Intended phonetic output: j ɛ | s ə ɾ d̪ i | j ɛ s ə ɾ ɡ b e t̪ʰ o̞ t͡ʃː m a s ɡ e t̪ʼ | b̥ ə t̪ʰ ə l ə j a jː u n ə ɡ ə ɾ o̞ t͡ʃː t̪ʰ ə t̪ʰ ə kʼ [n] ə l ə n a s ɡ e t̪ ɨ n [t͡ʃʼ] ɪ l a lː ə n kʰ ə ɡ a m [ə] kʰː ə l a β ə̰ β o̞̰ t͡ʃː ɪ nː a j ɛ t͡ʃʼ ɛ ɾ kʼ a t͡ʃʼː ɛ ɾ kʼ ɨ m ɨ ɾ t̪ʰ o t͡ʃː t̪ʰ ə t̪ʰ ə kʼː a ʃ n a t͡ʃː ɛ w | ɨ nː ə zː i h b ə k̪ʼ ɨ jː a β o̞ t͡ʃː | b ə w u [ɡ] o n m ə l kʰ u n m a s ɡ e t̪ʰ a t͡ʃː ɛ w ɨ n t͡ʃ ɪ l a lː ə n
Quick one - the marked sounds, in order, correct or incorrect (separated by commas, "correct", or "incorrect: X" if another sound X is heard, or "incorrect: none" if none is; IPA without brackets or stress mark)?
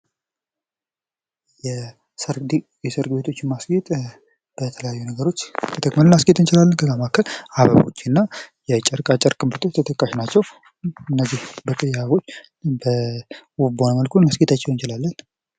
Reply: incorrect: m, incorrect: t͡ʃ, incorrect: a, incorrect: b